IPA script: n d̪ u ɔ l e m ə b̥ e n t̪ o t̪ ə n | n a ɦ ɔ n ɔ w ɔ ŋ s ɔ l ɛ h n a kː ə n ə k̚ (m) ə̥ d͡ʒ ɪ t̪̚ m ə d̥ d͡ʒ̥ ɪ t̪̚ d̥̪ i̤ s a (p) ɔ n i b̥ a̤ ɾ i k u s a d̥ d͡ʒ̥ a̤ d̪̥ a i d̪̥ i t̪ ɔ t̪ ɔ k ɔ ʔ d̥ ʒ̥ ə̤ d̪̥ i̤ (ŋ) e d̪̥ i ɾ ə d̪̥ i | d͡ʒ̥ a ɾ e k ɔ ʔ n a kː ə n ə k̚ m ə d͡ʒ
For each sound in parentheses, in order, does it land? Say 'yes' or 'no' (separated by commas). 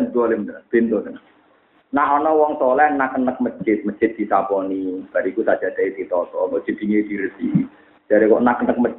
yes, yes, yes